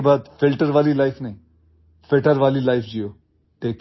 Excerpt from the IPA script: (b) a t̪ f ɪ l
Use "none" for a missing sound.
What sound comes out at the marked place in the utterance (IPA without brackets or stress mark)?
b